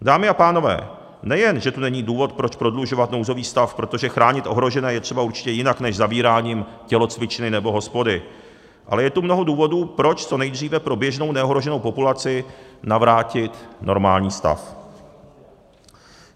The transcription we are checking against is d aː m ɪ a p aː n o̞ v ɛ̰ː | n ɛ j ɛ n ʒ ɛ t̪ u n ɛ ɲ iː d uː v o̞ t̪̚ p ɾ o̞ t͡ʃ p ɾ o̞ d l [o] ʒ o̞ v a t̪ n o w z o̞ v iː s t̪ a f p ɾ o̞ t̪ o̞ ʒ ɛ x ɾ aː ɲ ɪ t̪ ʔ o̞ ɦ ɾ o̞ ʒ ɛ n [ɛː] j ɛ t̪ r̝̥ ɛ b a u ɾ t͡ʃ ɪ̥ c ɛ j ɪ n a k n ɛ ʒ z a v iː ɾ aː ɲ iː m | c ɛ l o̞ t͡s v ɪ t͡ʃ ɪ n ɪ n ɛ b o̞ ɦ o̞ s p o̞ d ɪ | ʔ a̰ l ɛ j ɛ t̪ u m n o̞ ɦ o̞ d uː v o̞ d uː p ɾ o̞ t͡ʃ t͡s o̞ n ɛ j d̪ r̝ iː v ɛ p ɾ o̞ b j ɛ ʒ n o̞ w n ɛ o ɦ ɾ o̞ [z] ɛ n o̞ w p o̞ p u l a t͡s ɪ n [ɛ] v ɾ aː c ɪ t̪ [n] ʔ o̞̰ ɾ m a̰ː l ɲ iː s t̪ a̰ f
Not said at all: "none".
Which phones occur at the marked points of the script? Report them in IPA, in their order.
u, ɛː, ʒ, a, n

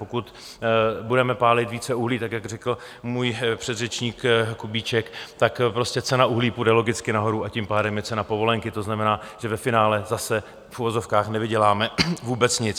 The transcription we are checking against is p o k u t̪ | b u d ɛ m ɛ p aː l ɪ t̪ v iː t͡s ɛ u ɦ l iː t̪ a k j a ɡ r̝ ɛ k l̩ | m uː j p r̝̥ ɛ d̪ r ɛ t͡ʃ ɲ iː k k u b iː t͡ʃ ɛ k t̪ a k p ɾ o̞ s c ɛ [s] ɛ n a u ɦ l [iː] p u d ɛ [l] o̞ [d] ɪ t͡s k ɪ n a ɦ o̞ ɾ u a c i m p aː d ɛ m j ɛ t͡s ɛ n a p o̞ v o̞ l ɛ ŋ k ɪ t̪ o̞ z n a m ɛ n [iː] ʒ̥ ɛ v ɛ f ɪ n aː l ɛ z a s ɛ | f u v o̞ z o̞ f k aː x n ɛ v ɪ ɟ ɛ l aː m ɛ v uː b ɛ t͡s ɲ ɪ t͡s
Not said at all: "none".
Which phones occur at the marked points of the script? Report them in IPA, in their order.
t͡s, iː, l, ɡ, aː

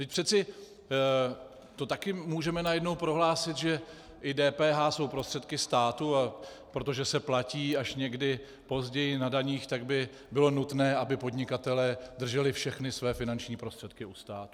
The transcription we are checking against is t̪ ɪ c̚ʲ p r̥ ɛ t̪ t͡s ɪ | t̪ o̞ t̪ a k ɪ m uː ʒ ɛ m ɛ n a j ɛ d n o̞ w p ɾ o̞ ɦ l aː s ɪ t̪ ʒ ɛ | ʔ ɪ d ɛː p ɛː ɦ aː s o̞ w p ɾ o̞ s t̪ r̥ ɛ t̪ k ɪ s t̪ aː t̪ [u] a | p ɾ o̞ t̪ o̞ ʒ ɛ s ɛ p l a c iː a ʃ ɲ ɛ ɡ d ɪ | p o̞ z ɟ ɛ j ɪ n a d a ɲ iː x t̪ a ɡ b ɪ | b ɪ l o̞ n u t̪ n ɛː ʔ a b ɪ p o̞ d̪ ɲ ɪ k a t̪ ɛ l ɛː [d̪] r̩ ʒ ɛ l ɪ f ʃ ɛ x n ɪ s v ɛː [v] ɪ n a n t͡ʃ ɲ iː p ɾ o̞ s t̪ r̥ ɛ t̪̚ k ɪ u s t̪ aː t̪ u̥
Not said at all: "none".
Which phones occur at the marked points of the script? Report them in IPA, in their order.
u, d̪, f

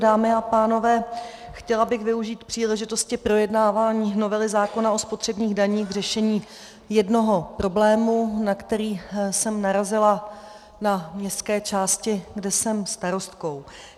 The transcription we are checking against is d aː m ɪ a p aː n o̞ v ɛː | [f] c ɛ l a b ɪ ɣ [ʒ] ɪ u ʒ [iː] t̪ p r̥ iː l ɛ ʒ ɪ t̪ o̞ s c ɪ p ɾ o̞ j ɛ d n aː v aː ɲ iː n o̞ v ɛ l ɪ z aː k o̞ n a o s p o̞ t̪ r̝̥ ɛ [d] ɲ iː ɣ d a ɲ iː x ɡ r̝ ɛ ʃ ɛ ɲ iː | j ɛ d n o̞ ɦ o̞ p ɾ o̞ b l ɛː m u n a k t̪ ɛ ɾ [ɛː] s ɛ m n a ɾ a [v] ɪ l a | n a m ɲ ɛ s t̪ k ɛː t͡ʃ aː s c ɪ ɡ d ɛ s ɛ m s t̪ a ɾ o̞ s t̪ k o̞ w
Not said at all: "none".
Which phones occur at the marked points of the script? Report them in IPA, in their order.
x, v, iː, b, iː, z

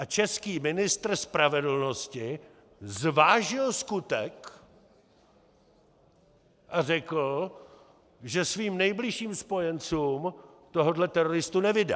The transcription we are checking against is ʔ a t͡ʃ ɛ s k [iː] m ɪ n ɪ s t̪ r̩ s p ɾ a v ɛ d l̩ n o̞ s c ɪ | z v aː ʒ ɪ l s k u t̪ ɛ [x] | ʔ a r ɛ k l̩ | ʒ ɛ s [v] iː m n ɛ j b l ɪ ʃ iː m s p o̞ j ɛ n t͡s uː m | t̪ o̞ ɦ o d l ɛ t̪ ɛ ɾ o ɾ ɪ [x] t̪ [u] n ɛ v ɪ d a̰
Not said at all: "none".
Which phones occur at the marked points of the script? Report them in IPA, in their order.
iː, k, v, s, u

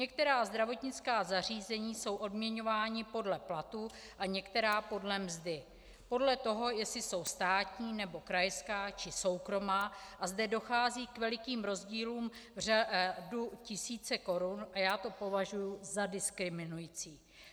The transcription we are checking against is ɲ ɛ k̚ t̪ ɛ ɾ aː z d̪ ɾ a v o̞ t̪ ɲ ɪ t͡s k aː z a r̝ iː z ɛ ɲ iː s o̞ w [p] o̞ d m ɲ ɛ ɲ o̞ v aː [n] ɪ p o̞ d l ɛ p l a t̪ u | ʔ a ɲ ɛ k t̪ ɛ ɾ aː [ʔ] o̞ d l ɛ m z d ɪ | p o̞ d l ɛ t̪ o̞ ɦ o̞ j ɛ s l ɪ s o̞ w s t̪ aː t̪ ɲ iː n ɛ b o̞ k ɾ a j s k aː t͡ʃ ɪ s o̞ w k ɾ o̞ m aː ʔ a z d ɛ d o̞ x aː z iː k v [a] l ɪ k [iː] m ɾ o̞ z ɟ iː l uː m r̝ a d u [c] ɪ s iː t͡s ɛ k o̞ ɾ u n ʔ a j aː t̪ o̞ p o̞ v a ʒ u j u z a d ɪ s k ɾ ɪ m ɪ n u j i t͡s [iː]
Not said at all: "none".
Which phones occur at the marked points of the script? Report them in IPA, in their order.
ʔ, ɲ, p, ɛ, iː, c, iː

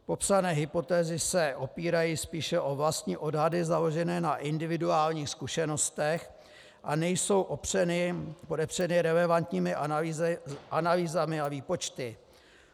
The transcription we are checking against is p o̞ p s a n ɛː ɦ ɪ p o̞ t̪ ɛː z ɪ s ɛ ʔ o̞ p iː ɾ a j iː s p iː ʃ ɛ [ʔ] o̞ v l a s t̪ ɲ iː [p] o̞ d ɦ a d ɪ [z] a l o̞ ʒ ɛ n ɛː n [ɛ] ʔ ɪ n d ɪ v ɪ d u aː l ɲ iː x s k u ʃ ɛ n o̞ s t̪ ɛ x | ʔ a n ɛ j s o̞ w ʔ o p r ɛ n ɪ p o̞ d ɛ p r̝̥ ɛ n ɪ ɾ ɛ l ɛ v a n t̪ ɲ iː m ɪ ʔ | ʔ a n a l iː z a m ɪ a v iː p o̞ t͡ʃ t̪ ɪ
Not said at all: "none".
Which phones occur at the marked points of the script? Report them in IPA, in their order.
ʔ, ʔ, z, a

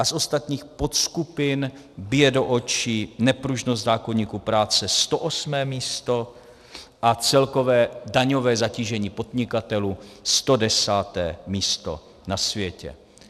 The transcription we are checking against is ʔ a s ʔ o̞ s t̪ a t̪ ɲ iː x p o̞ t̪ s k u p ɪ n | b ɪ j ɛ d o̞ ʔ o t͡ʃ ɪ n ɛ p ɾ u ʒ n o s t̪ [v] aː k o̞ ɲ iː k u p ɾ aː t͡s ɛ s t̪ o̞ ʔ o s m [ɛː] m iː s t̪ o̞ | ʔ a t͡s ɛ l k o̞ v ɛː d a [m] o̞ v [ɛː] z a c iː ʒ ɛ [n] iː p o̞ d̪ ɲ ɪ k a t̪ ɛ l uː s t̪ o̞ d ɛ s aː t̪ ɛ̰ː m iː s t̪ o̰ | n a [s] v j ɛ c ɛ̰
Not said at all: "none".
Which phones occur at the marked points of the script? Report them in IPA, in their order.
z, ɛː, ɲ, ɛː, ɲ, s

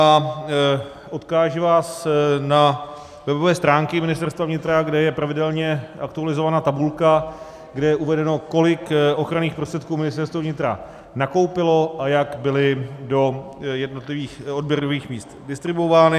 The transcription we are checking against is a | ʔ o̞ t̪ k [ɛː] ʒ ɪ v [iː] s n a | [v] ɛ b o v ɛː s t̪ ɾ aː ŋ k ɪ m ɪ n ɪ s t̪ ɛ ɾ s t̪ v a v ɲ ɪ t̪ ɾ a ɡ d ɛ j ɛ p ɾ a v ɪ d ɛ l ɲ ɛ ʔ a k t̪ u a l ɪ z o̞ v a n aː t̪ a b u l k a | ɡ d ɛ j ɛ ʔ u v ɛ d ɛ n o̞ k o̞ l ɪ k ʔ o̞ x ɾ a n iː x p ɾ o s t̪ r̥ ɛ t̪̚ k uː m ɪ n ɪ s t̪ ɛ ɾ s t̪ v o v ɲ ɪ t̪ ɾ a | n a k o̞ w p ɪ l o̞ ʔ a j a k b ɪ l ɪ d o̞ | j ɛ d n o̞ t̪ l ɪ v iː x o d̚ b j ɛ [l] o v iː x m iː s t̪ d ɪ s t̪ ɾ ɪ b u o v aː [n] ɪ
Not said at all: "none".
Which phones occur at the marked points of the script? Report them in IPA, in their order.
aː, aː, v, ɾ, n

